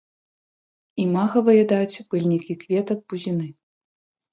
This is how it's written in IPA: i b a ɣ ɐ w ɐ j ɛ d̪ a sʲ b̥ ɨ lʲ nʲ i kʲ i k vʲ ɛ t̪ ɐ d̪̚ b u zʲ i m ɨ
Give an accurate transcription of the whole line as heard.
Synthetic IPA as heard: i m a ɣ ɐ v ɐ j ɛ d̪ a t͡sʲ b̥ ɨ lʲ nʲ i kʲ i k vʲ ɛ t̪ ɐ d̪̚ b u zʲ i n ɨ